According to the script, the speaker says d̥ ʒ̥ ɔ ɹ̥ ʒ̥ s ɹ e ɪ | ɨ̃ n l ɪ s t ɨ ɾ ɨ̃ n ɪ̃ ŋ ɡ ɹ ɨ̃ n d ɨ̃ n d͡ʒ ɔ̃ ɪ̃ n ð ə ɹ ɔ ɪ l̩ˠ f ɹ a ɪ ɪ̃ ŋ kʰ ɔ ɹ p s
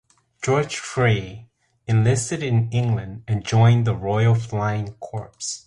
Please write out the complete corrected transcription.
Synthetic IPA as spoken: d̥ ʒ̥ ɔ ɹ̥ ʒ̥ f ɹ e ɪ | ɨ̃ n l ɪ s t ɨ ɾ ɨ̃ n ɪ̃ ŋ ɡ l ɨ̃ n d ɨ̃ n d͡ʒ ɔ̃ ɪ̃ n ð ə ɹ ɔ ɪ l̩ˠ f l a ɪ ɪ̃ ŋ kʰ ɔ ɹ p s